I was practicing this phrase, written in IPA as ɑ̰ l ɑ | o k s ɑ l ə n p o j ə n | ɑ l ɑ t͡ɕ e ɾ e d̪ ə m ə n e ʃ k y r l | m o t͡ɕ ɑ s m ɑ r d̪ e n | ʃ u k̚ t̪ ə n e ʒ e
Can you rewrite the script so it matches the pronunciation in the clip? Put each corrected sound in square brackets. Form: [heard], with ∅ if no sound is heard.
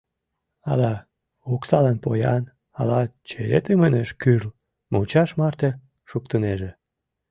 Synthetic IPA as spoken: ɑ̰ l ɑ | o k s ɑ l [ɑ] n p o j [ɑ] n | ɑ l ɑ t͡ɕ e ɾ e [t̪] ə m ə n e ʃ k y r l | m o t͡ɕ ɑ [ʃ] m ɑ r [t̪] e [∅] | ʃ u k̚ t̪ ə n e ʒ e